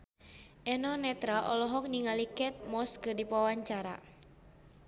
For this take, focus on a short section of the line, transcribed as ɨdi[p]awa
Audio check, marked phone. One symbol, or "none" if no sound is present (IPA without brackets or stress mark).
p